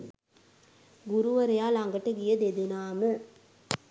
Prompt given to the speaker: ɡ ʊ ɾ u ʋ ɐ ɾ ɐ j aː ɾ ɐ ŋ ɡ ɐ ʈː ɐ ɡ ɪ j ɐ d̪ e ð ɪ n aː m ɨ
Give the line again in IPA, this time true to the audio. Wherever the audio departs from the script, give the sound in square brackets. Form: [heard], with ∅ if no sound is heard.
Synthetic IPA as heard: ɡ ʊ ɾ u ʋ ɐ ɾ ɐ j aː [l] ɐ ŋ ɡ ɐ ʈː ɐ ɡ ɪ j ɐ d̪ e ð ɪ n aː m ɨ